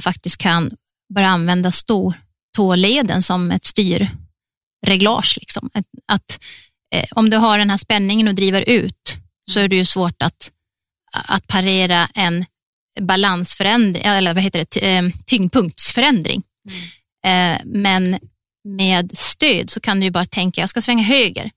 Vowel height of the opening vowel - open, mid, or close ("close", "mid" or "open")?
open